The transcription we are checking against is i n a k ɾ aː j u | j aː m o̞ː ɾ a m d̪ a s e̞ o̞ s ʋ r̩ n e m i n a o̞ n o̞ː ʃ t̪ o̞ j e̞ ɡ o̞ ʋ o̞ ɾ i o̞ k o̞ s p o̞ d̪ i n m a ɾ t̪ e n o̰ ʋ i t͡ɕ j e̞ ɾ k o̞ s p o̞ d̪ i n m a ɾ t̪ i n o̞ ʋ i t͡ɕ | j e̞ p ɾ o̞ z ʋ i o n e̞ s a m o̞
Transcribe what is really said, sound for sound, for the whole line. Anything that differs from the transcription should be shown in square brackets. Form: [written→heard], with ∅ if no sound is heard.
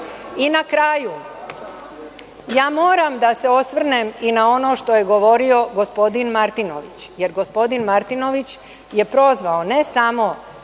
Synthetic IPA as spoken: i n a k ɾ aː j u | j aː m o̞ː ɾ a m d̪ a s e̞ o̞ s ʋ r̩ n e m i n a o̞ n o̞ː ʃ t̪ o̞ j e̞ ɡ o̞ ʋ o̞ ɾ i o̞ [k→ɡ] o̞ s p o̞ d̪ i n m a ɾ t̪ [e→i] n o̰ ʋ i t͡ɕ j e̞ ɾ [k→ɡ] o̞ s p o̞ d̪ i n m a ɾ t̪ i n o̞ ʋ i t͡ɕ | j e̞ p ɾ o̞ z ʋ [i→a] o n e̞ s a m o̞